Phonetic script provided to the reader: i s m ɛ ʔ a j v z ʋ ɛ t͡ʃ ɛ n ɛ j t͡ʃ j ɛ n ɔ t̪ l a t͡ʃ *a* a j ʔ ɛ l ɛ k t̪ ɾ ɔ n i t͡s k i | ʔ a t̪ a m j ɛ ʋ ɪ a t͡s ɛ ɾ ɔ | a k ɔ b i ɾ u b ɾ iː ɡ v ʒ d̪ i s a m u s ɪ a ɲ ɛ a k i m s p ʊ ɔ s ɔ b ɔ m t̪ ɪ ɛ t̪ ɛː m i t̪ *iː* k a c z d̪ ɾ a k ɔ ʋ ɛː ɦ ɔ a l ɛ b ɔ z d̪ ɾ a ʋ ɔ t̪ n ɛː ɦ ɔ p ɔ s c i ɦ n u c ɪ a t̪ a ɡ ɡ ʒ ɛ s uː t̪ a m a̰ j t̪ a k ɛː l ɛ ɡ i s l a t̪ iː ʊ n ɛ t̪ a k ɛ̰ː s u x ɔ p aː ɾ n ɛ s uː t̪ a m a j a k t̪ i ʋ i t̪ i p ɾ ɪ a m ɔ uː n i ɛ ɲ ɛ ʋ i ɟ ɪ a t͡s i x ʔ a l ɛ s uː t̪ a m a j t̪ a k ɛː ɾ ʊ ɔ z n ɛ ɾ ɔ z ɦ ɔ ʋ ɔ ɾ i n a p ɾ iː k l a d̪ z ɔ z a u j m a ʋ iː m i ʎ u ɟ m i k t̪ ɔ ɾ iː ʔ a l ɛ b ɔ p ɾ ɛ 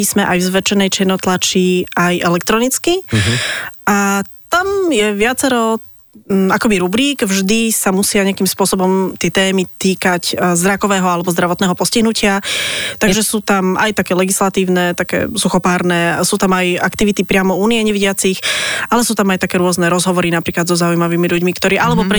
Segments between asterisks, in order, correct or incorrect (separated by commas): incorrect, correct